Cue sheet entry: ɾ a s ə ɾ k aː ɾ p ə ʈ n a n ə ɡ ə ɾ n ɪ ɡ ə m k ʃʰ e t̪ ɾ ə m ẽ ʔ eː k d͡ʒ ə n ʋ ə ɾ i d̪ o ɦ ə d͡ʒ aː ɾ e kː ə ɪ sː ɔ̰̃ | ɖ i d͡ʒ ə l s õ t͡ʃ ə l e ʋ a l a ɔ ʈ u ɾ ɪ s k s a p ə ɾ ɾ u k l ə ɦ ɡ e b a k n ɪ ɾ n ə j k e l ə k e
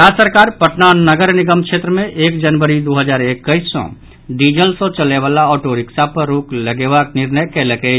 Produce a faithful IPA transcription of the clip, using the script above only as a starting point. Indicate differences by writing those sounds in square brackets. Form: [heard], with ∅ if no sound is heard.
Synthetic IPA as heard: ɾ a s ə ɾ k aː ɾ p ə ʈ n a n ə ɡ ə ɾ n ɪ ɡ ə m k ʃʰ e t̪ ɾ ə m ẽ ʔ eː k d͡ʒ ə n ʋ ə ɾ i d̪ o ɦ ə d͡ʒ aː ɾ e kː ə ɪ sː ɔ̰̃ | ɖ i d͡ʒ ə l s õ t͡ʃ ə l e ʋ a l a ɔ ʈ [o] ɾ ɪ [∅] k s a p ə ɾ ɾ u k l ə [∅] ɡ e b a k n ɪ ɾ n ə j k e l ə k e